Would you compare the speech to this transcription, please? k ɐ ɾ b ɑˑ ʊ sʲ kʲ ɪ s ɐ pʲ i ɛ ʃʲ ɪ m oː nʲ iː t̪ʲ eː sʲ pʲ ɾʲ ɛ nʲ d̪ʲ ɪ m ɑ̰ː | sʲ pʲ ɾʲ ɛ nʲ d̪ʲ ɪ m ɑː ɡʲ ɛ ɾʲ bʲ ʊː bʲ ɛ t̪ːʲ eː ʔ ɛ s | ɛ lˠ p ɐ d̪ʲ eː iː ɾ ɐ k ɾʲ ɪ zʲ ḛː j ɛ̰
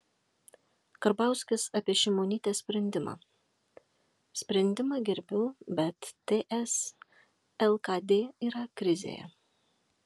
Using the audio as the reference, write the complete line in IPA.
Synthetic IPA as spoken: k ɐ ɾ b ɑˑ ʊ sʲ kʲ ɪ s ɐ pʲ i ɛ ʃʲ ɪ m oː nʲ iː t̪ʲ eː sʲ pʲ ɾʲ ɛ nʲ d̪ʲ ɪ m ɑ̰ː | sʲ pʲ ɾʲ ɛ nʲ d̪ʲ ɪ m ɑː ɡʲ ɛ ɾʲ bʲ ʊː bʲ ɛ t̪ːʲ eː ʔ ɛ s | ɛ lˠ k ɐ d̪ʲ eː iː ɾ ɐ k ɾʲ ɪ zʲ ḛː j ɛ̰